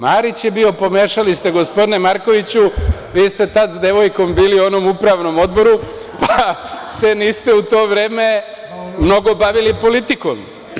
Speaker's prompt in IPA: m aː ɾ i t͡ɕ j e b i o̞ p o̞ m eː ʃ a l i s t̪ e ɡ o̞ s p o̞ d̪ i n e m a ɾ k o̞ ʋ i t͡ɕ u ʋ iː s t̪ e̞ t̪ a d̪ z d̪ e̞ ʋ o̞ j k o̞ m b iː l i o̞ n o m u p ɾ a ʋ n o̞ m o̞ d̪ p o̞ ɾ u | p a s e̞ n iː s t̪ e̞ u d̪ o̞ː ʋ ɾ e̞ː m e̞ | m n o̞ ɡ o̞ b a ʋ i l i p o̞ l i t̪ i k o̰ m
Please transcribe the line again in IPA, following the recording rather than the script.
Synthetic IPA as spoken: m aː ɾ i t͡ɕ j e b i o̞ p o̞ m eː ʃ a l i s t̪ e ɡ o̞ s p o̞ d̪ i n e m a ɾ k o̞ ʋ i t͡ɕ u ʋ iː s t̪ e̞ t̪ a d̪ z d̪ e̞ ʋ o̞ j k o̞ m b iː l i o̞ n o m u p ɾ a ʋ n o̞ m o̞ d̪ b o̞ ɾ u | p a s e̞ n iː s t̪ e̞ u t̪ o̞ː ʋ ɾ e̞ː m e̞ | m n o̞ ɡ o̞ b a ʋ i l i p o̞ l i t̪ i k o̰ m